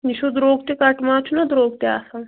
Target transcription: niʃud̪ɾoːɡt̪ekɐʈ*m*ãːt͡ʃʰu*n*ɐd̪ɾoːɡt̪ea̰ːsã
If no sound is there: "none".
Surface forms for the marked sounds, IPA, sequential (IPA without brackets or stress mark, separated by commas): m, n